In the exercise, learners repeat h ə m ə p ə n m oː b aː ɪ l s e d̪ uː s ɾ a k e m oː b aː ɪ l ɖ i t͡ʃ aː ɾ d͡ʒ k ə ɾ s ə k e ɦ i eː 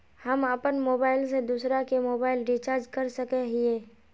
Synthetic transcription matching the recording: h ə m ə p ə n m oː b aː ɪ l s e d̪ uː s ɾ a k e m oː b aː ɪ l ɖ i t͡ʃ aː ɾ d͡ʒ k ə ɾ s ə k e ɦ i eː